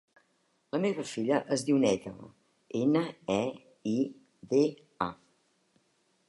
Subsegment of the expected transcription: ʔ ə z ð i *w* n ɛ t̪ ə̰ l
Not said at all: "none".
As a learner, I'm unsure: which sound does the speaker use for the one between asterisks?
w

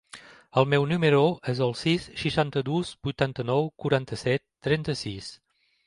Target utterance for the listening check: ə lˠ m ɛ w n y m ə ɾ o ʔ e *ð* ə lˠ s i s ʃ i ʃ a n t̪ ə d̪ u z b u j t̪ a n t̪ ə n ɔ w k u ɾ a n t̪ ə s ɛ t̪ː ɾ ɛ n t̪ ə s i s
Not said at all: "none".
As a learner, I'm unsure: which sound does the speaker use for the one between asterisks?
z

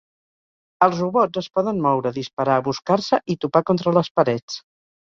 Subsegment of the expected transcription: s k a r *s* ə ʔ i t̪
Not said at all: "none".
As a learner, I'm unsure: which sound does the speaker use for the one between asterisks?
s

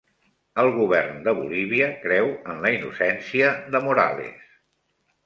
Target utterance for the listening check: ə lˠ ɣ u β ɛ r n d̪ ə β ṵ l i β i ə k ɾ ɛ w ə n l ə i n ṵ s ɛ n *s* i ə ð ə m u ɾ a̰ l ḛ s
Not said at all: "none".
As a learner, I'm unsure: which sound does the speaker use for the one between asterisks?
s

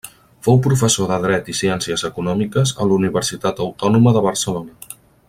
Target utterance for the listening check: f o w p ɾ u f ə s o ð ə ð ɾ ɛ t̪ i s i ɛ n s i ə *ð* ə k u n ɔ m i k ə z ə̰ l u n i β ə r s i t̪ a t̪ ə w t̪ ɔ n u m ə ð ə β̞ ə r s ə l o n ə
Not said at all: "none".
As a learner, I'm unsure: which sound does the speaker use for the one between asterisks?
z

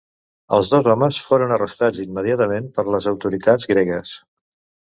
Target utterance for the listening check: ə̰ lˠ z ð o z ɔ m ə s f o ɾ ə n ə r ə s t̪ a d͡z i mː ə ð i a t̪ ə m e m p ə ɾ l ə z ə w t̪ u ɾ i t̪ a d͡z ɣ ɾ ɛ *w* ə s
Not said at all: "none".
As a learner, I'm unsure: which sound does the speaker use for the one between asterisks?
ɣ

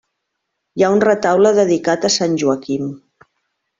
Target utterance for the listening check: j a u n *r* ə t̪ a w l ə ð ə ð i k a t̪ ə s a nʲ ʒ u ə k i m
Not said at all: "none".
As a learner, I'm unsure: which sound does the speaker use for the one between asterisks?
r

